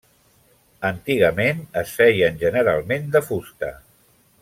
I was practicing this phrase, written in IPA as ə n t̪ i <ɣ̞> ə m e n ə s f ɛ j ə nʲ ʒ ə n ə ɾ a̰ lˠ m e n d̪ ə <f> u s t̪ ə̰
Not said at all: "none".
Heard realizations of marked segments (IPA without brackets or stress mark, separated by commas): ɣ̞, f